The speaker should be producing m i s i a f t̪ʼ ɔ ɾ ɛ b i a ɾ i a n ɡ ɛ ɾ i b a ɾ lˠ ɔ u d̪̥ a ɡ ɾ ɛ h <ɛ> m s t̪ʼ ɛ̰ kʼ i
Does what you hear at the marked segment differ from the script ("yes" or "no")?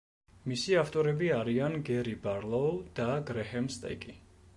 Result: no